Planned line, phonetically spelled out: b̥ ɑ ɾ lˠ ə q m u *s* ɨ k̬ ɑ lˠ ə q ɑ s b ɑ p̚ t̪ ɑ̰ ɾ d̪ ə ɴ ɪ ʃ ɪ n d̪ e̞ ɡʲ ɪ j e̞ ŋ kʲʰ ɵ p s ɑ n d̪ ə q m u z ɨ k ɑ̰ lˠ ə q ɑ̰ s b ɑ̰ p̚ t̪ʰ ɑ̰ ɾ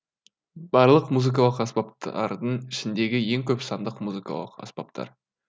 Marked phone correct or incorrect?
incorrect